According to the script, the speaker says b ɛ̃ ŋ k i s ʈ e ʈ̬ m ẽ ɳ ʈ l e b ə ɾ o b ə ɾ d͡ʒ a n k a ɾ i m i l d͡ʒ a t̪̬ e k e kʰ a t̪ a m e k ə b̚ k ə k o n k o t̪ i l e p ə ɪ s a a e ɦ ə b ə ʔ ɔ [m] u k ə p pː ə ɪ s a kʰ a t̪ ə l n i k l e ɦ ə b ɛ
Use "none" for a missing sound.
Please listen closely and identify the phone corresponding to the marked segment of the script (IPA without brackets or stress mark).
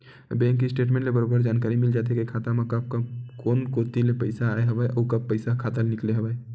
none